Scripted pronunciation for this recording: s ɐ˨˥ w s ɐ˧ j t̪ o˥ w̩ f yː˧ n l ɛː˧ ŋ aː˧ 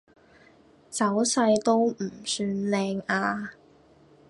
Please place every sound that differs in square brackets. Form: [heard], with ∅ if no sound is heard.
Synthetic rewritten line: [t͡s] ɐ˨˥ w s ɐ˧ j t̪ o˥ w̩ [s] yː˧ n l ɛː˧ ŋ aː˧